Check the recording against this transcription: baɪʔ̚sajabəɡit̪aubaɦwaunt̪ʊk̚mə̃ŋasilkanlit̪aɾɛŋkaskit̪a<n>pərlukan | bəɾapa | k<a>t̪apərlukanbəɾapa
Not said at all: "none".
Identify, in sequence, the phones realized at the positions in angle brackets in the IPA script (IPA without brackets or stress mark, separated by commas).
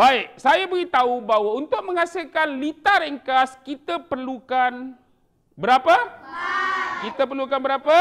none, i